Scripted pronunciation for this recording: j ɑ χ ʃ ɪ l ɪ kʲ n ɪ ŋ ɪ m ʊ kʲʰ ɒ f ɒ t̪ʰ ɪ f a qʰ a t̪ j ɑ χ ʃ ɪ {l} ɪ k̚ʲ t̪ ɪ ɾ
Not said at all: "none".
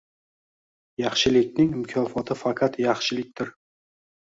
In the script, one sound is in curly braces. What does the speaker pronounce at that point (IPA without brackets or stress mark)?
l